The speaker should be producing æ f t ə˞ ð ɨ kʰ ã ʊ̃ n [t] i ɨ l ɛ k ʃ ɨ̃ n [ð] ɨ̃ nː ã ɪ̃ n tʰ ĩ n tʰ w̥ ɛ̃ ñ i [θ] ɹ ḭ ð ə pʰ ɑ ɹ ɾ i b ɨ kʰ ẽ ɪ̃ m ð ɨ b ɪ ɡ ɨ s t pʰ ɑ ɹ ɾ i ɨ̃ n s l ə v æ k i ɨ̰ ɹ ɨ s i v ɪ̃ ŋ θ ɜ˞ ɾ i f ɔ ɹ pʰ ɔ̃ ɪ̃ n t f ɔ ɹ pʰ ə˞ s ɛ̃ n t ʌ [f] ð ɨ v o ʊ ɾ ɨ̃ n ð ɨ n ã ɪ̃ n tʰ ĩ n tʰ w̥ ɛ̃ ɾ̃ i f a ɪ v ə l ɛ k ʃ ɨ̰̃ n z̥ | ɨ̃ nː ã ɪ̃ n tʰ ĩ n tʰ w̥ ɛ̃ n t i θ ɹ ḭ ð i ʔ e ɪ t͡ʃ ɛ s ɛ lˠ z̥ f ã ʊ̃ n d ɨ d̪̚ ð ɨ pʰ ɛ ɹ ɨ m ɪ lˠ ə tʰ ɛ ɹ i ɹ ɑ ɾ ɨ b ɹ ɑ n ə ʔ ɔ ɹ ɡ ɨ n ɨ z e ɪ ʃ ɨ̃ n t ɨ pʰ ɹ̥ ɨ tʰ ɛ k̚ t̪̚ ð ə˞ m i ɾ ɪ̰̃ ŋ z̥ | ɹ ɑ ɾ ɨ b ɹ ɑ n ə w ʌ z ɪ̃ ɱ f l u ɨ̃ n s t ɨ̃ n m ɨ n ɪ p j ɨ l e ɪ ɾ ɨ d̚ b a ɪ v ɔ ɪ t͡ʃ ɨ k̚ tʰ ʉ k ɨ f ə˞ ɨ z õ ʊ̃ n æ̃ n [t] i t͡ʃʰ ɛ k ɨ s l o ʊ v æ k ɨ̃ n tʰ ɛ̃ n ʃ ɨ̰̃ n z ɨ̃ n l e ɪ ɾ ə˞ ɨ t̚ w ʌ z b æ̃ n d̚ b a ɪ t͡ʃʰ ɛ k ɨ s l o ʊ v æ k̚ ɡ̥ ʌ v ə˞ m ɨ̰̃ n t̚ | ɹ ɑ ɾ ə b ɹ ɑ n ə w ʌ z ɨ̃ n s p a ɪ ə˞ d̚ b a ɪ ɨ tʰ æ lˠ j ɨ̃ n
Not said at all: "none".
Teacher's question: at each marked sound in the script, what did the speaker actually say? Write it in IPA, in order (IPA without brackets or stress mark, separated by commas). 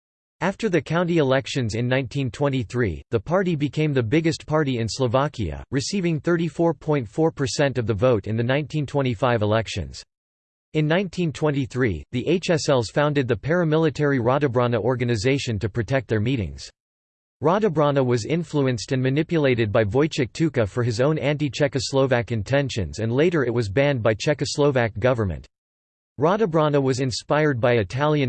t, z, θ, v, t